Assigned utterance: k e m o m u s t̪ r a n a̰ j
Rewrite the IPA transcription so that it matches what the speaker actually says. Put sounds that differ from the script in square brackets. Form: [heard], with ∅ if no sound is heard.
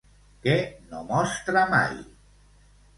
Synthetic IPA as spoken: k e [n] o m [ɔ] s t̪ [ɾ] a [m] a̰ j